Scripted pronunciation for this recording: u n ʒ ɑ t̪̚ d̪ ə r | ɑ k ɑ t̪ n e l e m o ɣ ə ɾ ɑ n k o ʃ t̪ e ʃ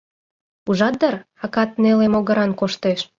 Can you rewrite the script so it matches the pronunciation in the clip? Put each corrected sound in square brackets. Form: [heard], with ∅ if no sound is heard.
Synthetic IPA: u [∅] ʒ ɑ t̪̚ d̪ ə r | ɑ k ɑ t̪ n e l e m o ɣ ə ɾ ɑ n k o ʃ t̪ e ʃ